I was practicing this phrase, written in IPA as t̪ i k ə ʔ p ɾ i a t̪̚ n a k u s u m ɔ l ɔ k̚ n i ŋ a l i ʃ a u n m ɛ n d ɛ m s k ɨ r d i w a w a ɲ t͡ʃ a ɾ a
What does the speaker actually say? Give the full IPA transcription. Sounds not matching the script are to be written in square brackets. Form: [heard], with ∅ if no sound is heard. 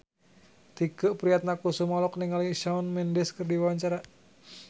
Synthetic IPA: t̪ i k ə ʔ p ɾ i a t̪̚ n a k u s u m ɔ l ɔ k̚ n i ŋ a l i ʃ a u n m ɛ n d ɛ [∅] s k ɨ r d i w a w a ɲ t͡ʃ a ɾ a